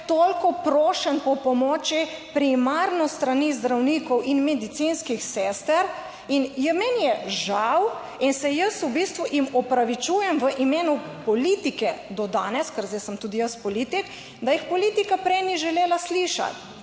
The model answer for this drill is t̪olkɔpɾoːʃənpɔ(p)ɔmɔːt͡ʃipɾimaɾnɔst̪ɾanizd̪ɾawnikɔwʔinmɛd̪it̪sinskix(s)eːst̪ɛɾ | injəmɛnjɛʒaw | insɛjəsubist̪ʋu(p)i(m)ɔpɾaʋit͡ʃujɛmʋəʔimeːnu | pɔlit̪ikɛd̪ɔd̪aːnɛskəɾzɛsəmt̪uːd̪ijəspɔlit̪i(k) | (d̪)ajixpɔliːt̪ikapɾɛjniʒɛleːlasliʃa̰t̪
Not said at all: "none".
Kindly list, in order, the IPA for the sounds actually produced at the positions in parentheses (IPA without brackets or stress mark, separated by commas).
p, s, ʔ, m, k, d̪